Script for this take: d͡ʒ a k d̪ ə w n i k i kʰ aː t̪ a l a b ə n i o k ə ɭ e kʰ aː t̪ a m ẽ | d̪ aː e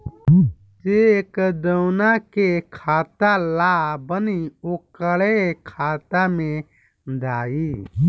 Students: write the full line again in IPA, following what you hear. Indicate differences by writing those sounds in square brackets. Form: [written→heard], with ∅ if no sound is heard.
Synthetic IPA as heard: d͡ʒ [a→e] k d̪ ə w n [i→a] k [i→e] kʰ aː t̪ a l a b ə n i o k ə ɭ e kʰ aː t̪ a m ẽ | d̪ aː [e→i]